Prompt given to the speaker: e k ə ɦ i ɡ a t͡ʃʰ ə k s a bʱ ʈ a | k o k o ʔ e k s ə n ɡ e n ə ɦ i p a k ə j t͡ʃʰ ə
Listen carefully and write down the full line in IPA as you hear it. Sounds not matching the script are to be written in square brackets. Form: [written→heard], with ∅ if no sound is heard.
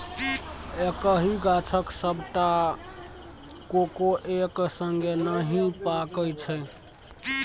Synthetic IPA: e k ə ɦ i ɡ a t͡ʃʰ ə k s [a→ə] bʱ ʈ a | k o k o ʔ e k s ə [n→ŋ] ɡ e n ə ɦ i p a k ə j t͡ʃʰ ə